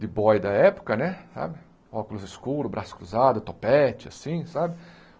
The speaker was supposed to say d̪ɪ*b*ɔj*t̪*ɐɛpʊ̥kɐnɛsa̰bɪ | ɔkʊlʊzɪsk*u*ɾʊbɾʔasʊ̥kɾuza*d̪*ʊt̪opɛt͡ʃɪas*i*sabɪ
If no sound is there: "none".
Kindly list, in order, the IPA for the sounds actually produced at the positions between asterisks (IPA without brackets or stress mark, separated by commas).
b, d̪, u, d̪, ĩ